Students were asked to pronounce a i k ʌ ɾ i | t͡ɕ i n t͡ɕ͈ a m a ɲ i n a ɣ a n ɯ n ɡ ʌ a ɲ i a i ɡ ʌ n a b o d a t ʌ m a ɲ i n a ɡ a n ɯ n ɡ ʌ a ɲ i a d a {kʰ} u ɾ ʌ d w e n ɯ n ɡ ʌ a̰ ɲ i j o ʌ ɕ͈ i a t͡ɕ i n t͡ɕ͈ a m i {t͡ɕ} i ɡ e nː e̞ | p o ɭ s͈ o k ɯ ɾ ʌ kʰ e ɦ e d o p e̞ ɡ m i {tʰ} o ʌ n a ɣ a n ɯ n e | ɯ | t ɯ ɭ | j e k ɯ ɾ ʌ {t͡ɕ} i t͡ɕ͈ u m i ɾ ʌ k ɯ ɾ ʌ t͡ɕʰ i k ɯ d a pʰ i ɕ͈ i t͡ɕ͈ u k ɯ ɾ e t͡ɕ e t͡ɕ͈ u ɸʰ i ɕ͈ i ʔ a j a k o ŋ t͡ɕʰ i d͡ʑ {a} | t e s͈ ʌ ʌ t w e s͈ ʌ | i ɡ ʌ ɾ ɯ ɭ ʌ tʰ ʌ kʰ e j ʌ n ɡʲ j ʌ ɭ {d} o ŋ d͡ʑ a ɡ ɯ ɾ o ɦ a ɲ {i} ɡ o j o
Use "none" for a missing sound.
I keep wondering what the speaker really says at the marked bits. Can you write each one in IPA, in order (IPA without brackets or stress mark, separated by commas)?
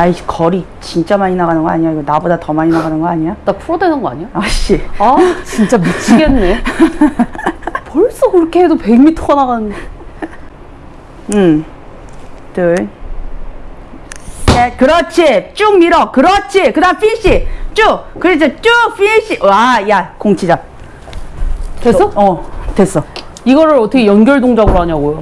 pʰ, t͡ɕʰ, tʰ, t͡ɕʰ, a, d, a